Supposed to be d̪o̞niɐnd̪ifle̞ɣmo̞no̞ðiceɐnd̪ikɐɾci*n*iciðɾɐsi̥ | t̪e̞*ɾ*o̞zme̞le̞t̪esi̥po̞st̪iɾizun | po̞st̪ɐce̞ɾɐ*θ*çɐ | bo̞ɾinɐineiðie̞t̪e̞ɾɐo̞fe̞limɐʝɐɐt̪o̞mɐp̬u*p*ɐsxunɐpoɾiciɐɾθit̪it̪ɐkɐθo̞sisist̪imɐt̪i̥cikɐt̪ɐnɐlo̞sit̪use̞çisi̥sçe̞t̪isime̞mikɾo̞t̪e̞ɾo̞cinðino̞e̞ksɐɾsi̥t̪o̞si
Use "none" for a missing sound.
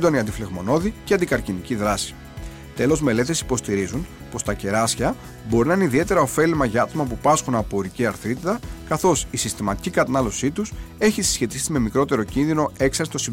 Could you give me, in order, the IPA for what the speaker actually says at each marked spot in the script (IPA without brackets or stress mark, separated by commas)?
n, l, s, p